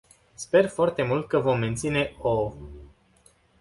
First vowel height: mid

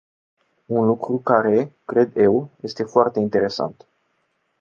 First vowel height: high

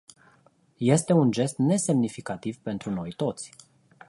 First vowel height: mid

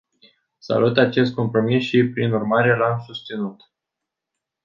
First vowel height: low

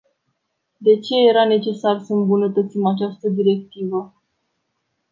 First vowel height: mid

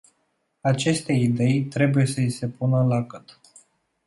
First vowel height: low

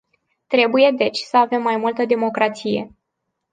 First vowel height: mid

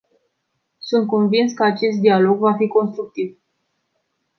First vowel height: high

